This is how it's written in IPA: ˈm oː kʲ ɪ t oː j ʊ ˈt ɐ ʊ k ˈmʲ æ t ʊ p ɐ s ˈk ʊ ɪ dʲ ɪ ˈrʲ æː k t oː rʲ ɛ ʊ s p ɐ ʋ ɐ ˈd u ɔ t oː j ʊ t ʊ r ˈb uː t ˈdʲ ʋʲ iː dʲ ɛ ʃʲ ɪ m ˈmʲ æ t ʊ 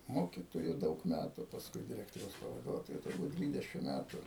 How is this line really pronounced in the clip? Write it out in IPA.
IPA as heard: ˈm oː kʲ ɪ t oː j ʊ ˈd ɐ ʊ k ˈmʲ æ t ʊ p ɐ s ˈk ʊ ɪ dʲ ɪ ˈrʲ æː k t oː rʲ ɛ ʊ s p ɐ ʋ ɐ ˈd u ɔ t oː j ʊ t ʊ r ˈb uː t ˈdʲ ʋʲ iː dʲ ɛ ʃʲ ɪ m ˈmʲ æ t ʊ